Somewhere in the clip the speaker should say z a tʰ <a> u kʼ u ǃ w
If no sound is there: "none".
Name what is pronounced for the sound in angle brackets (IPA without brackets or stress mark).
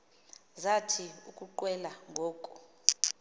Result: i